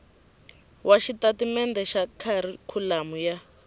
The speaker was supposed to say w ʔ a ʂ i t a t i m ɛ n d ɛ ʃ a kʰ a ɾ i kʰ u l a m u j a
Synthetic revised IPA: w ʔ a ʃ i t a t i m ɛ n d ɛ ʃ a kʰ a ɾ i kʰ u l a m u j a